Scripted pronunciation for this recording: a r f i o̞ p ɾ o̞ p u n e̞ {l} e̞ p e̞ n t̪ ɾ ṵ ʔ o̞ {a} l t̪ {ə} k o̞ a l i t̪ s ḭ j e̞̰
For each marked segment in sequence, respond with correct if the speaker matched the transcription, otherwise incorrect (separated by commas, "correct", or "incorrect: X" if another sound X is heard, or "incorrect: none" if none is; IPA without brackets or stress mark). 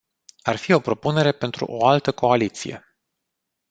incorrect: ɾ, correct, correct